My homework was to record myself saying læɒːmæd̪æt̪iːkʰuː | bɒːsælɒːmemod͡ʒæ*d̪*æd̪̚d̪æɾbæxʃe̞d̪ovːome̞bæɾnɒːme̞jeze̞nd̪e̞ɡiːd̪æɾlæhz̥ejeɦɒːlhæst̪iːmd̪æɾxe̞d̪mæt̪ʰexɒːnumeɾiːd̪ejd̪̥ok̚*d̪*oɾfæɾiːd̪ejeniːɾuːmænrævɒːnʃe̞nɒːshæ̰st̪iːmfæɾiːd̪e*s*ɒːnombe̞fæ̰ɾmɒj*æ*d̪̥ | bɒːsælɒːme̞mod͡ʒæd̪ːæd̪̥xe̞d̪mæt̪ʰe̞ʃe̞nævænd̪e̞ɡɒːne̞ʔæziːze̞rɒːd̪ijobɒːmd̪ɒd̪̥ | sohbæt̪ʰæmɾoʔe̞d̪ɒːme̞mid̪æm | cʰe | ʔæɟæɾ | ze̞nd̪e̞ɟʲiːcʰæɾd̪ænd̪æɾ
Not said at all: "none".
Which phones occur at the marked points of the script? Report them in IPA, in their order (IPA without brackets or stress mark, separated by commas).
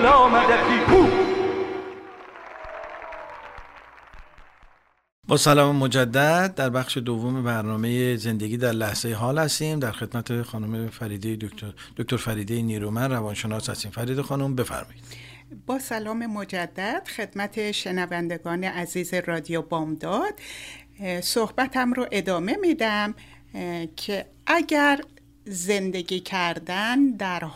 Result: d̪ː, t̪, x, i